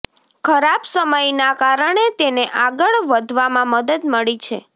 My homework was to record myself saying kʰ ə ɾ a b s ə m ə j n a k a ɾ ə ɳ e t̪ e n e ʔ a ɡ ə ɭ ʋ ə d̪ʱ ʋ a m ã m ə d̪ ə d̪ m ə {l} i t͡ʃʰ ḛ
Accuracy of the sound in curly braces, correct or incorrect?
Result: incorrect: ɭ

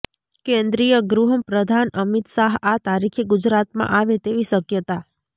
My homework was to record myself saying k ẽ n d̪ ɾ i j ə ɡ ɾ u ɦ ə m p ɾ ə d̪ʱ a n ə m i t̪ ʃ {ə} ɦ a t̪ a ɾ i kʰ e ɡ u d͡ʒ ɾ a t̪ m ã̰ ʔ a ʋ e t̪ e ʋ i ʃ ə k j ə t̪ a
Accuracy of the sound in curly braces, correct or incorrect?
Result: incorrect: a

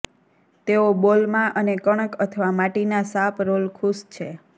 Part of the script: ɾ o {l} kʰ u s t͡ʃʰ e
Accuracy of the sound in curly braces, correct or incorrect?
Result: correct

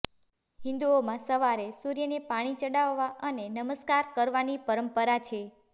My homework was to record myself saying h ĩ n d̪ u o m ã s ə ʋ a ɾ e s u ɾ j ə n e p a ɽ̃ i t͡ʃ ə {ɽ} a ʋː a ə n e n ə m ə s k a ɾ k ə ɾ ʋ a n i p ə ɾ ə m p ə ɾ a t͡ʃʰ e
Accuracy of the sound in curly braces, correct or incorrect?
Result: correct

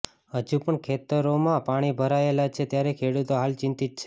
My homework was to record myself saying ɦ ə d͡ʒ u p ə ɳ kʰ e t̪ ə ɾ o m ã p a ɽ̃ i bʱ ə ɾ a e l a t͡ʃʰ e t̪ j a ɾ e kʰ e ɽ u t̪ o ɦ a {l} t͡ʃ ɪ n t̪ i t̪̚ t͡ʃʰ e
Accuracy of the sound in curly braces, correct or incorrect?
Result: correct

